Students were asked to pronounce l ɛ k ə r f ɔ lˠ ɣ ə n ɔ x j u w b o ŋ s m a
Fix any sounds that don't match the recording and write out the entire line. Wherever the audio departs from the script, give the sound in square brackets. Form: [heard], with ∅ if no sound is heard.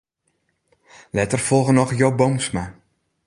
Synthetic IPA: l ɛ [t] ə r f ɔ lˠ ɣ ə n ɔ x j [o] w b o [m] s m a